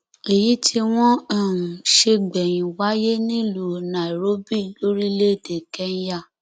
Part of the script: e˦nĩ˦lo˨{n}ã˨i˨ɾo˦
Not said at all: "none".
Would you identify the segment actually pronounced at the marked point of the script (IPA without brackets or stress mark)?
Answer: n